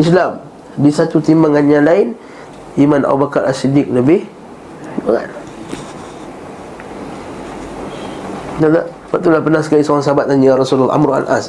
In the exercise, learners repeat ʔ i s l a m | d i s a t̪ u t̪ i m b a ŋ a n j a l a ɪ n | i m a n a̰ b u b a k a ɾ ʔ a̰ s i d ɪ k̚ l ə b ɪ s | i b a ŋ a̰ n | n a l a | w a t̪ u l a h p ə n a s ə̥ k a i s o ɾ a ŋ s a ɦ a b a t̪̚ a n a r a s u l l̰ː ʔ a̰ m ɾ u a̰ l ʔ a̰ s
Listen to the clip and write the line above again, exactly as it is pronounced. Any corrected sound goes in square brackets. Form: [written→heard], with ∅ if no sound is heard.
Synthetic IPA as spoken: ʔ i s l a m | d i s a t̪ u t̪ i m b a ŋ a n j a l a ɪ n | i m a n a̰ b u b a k a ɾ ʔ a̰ s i d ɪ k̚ l ə b ɪ [s→h] | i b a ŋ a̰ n | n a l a | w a t̪ u l a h p ə n a s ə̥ k a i s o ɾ a ŋ s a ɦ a b a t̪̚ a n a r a s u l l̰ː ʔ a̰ m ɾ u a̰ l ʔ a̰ s